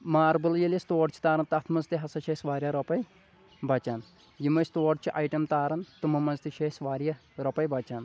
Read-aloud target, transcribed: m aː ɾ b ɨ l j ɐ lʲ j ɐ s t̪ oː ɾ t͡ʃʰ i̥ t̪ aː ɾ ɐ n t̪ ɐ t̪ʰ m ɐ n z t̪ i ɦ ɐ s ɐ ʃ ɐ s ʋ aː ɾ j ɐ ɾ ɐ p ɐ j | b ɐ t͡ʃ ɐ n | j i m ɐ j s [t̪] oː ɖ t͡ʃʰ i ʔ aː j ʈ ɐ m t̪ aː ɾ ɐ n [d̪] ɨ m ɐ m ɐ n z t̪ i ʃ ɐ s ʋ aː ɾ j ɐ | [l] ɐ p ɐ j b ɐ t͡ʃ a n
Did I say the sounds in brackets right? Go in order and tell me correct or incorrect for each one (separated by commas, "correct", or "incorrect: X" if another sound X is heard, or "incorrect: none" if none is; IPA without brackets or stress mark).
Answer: correct, incorrect: t̪, incorrect: ɾ